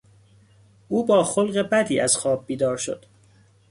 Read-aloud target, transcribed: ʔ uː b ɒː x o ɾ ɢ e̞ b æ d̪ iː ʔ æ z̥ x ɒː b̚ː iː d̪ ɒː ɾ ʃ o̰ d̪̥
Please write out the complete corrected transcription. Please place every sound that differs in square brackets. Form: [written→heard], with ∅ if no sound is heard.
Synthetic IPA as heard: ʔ uː b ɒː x o [ɾ→l] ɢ e̞ b æ d̪ iː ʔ æ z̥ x ɒː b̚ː iː d̪ ɒː ɾ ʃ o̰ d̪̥